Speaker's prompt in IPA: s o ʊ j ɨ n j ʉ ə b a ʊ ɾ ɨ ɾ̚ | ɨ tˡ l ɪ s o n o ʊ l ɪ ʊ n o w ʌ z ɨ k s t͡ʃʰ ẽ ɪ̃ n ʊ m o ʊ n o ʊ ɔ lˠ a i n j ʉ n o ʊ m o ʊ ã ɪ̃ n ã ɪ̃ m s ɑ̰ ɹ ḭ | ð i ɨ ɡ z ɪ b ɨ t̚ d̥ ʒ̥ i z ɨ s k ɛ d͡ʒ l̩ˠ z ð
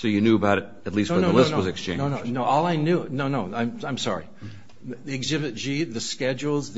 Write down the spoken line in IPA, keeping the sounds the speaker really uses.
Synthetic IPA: s o ʊ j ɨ n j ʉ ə b a ʊ ɾ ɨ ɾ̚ | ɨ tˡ l i s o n o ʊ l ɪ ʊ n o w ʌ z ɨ k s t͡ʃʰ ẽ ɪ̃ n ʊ n o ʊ n o ʊ ɔ lˠ a ɪ n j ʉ n o ʊ n o ʊ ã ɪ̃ m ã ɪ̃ m s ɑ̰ ɹ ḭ | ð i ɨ ɡ z ɪ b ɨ t̚ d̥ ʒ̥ i ð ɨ s k ɛ d͡ʒ l̩ˠ z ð